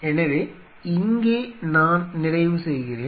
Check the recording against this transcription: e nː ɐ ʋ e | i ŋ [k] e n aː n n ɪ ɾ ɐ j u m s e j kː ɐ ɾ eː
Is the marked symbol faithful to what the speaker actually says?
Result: no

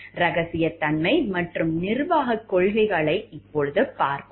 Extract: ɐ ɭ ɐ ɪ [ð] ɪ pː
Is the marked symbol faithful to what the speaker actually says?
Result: no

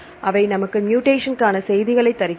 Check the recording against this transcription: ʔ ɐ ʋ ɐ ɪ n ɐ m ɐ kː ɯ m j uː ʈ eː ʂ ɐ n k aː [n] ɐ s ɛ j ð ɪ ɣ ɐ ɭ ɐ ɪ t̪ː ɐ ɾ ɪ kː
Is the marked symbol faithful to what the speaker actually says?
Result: yes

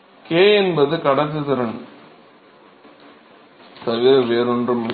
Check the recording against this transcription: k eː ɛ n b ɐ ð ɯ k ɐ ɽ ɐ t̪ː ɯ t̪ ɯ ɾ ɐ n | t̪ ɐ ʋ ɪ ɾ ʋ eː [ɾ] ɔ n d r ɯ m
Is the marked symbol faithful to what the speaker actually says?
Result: yes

